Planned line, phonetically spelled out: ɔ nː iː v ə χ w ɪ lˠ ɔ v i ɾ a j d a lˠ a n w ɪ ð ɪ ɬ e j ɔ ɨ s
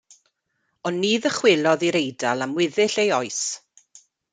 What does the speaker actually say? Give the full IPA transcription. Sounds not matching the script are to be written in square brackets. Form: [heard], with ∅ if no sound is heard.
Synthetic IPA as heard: ɔ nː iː [ð] ə χ w ɪ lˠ ɔ [ð] i ɾ [e] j d a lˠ a [m] w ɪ ð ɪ ɬ e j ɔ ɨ s

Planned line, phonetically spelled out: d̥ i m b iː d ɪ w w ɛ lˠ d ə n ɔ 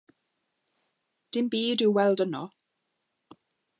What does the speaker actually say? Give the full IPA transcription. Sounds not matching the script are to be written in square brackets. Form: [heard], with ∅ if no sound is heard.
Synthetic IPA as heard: d̥ [ɪ] m b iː d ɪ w w ɛ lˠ d ə n ɔ

